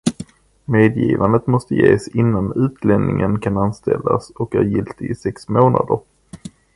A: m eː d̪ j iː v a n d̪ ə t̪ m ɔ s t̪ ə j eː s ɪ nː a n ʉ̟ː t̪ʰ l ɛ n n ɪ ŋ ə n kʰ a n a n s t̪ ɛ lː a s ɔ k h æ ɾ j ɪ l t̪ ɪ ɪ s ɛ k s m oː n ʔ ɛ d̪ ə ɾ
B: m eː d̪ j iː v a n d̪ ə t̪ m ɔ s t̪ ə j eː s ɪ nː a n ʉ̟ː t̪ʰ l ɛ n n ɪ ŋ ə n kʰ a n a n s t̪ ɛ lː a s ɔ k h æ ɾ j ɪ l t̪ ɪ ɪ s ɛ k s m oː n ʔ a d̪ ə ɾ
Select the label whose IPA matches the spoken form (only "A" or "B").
B